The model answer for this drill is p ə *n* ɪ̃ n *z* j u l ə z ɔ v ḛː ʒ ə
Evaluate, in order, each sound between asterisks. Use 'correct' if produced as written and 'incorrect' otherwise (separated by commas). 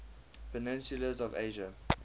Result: correct, incorrect